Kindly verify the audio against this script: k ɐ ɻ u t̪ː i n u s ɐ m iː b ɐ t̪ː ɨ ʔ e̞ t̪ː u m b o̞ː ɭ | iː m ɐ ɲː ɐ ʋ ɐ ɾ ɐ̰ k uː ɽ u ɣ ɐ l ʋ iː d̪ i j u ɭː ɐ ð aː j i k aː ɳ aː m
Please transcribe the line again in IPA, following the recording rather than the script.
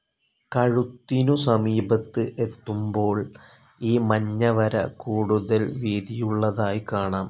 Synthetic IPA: k ɐ ɻ u t̪ː i n u s ɐ m iː b ɐ t̪ː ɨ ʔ e̞ t̪ː u m b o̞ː ɭ | iː m ɐ ɲː ɐ ʋ ɐ ɾ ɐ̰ k uː ɽ u ð ɐ l ʋ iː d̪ i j u ɭː ɐ ð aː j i k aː ɳ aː m

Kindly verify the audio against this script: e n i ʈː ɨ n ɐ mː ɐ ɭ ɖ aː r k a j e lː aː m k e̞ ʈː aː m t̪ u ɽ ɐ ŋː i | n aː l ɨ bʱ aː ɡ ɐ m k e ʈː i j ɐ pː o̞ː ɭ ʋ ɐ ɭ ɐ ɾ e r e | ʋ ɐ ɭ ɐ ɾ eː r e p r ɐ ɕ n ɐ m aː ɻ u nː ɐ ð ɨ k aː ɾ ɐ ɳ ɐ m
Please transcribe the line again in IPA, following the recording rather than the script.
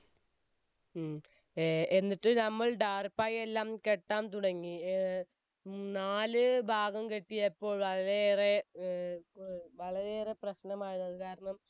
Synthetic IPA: e nː i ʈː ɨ n ɐ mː ɐ ɭ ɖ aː r p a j e lː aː m k e̞ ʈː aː m t̪ u ɽ ɐ ŋː i | n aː l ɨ bʱ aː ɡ ɐ m k e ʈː i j ɐ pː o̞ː ɭ ʋ ɐ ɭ ɐ ɾ e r e | ʋ ɐ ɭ ɐ ɾ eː r e p r ɐ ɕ n ɐ m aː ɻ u nː ɐ ð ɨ k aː ɾ ɐ ɳ ɐ m

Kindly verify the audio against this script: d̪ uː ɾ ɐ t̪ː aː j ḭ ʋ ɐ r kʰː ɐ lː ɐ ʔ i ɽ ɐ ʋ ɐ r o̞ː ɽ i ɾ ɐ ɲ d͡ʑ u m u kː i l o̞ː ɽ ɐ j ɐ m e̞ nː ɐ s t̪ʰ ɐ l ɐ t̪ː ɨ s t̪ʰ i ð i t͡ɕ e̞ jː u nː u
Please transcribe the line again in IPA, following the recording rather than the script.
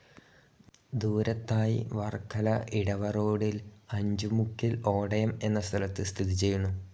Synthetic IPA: d̪ uː ɾ ɐ t̪ː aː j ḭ ʋ ɐ r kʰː ɐ l ɐ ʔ i ɽ ɐ ʋ ɐ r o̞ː ɽ i l ɐ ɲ d͡ʑ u m u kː i l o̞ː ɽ ɐ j ɐ m e̞ nː ɐ s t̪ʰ ɐ l ɐ t̪ː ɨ s t̪ʰ i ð i t͡ɕ e̞ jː u nː u

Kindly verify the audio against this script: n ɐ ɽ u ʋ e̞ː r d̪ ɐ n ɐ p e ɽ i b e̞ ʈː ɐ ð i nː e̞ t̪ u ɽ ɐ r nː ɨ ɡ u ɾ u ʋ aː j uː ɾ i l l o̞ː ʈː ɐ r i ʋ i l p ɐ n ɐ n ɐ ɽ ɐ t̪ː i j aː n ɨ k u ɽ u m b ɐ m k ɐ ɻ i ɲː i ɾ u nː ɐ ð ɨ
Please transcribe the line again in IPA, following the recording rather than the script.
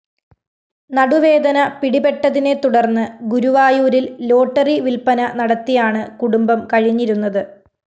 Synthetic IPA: n ɐ ɽ u ʋ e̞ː d̪ ɐ n ɐ p i ɽ i b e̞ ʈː ɐ ð i n e̞ t̪ u ɽ ɐ r nː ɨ ɡ u ɾ u ʋ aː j uː ɾ i l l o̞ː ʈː ɐ r i ʋ i l p ɐ n ɐ n ɐ ɽ ɐ t̪ː i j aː ɳ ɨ k u ɽ u m b ɐ m k ɐ ɻ i ɲː i ɾ u nː ɐ ð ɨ

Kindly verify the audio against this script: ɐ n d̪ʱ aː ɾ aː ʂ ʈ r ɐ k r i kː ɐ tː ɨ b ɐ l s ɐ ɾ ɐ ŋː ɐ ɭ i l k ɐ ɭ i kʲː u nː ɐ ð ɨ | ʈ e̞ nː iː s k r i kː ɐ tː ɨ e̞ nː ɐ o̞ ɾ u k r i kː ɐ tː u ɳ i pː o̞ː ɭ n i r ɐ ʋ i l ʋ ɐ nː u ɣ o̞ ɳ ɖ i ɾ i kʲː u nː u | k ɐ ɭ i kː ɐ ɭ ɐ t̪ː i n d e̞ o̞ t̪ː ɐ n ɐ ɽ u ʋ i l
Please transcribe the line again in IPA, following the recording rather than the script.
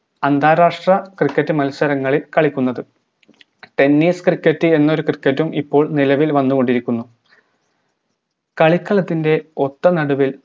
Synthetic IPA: ɐ n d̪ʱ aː ɾ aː ʂ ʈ r ɐ k r i kː ɐ tː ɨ m ɐ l s ɐ ɾ ɐ ŋː ɐ ɭ i l k ɐ ɭ i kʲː u nː ɐ ð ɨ | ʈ e̞ nː iː s k r i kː ɐ tː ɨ e̞ nː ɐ o̞ ɾ u k r i kː ɐ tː u m i pː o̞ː ɭ n i l ɐ ʋ i l ʋ ɐ nː u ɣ o̞ ɳ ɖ i ɾ i kʲː u nː u | k ɐ ɭ i kː ɐ ɭ ɐ t̪ː i n d e̞ o̞ t̪ː ɐ n ɐ ɽ u ʋ i l

